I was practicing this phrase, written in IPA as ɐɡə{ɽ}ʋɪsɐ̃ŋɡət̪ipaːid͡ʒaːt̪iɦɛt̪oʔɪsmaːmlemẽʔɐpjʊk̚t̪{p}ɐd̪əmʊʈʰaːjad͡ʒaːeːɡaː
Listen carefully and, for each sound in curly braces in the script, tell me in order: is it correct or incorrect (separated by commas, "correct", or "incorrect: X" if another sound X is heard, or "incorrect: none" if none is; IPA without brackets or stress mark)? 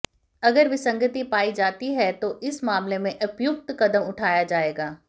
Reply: incorrect: ɾ, incorrect: k